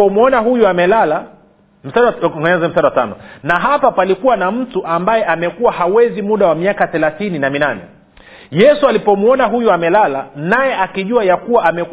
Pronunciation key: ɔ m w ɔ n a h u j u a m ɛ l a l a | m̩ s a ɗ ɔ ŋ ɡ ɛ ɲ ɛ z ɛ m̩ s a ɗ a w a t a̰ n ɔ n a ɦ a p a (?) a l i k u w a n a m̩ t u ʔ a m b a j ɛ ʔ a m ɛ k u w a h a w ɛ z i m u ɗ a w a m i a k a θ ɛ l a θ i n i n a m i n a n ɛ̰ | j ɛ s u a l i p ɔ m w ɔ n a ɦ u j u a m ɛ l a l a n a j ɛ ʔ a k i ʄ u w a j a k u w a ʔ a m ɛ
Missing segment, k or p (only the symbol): p